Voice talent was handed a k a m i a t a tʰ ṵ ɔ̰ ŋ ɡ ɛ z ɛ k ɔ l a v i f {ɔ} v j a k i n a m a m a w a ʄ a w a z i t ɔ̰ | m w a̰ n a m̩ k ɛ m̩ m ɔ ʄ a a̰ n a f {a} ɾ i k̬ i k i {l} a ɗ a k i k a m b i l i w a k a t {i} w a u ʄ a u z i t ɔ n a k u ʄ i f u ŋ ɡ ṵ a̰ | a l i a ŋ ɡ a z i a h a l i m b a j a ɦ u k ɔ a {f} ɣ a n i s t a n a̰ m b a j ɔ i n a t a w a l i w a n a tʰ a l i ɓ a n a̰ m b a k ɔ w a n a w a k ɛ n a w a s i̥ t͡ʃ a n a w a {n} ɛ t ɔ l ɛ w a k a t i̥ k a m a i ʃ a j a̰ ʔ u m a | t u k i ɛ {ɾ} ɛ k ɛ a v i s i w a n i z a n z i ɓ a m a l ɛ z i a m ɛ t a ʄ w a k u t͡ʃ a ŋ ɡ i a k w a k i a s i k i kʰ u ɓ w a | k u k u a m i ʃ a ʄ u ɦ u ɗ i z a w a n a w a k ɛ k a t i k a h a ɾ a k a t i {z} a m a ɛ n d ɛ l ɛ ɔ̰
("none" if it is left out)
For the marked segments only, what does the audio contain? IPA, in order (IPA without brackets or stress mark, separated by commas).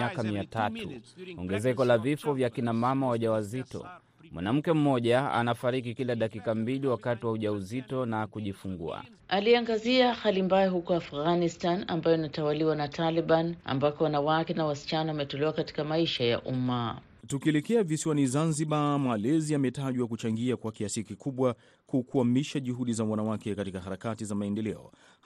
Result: ɔ, a, l, i, f, m, l, z